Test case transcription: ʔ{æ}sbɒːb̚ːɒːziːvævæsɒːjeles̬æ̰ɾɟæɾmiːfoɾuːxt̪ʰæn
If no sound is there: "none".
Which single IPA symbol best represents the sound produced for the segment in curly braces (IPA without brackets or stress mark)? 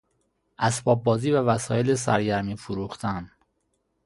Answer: æ